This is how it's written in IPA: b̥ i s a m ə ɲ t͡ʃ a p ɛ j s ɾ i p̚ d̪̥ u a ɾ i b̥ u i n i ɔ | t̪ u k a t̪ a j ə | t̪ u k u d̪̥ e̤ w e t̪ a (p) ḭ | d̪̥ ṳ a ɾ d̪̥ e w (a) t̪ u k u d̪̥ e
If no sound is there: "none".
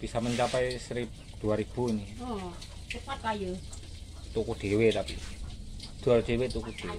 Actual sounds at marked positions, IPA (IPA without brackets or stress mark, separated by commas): p, e